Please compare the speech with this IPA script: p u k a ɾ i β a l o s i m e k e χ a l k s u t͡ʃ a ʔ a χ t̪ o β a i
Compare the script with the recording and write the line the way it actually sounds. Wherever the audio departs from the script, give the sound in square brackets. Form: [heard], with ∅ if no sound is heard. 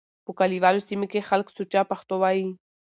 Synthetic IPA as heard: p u k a [l] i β a l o s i m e k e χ a l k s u t͡ʃ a [p] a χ t̪ o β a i